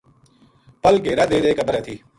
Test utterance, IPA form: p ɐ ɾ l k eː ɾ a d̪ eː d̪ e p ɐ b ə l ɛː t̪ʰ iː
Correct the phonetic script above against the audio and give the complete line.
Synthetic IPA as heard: p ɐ l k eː ɾ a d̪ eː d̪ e k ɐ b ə ɾ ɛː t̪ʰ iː